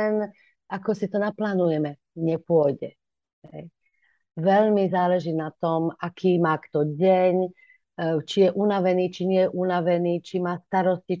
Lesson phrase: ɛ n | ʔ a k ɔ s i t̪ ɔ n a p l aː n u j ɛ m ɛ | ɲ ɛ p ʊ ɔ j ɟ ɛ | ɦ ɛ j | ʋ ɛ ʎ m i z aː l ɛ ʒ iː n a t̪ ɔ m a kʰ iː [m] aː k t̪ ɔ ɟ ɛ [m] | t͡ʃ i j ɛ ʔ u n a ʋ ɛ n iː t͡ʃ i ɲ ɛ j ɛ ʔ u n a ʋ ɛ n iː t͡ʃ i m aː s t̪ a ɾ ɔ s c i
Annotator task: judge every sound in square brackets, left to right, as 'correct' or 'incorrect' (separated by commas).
correct, incorrect